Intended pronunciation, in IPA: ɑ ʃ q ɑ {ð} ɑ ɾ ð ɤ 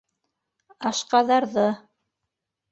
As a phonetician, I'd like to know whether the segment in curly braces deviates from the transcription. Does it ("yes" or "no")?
no